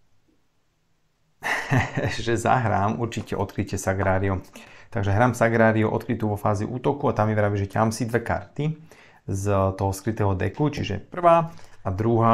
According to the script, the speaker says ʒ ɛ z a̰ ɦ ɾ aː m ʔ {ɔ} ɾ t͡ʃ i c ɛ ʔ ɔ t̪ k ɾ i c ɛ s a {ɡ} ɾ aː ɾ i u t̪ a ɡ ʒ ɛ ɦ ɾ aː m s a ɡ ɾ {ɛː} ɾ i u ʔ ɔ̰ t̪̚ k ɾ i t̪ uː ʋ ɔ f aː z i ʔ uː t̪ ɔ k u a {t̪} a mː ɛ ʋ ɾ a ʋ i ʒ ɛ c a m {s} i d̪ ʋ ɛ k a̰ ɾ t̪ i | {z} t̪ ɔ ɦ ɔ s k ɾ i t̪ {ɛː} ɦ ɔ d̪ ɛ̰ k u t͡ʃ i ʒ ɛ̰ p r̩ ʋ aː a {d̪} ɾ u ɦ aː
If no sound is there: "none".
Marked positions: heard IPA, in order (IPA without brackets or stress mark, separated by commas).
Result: u, ɡ, aː, t̪, s, z, ɛː, d̪